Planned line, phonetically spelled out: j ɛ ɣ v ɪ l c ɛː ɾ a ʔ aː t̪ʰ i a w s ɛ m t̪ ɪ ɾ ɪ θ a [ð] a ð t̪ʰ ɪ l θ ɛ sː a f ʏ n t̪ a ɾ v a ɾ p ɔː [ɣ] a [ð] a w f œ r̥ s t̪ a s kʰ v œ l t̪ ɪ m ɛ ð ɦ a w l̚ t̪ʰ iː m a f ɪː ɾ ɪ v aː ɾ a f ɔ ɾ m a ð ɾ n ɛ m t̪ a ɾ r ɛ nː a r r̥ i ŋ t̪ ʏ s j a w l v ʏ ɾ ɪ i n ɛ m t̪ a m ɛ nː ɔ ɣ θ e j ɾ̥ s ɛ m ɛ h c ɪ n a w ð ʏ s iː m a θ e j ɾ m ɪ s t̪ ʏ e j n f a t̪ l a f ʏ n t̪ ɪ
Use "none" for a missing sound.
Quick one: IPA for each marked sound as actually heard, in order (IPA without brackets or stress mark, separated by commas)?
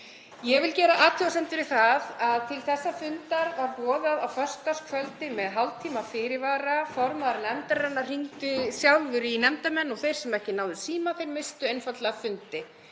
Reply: ð, ð, ð